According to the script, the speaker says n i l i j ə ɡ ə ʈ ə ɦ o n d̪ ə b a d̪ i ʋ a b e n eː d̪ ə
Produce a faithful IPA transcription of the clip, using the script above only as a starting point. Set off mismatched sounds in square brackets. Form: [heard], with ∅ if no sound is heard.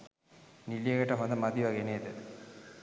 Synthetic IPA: n i l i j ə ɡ ə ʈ ə ɦ o n d̪ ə [m] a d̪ i ʋ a [ɡ] e n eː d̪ ə